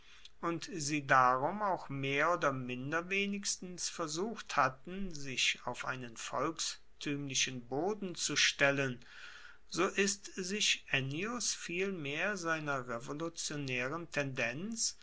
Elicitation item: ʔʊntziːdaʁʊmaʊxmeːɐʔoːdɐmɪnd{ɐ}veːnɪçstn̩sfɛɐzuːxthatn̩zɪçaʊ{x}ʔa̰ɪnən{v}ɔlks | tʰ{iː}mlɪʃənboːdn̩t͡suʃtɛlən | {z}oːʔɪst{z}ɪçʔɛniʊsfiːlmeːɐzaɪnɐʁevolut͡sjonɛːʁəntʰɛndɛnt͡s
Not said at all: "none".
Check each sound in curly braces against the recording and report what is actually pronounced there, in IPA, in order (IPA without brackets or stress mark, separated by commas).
ɐ, f, f, yː, z, z